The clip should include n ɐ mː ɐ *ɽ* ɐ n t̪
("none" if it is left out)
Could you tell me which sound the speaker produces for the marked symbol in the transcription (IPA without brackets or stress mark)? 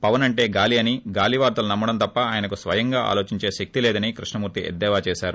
ɽ